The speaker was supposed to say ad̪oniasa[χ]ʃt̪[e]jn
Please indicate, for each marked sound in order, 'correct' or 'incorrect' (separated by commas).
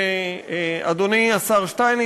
incorrect, incorrect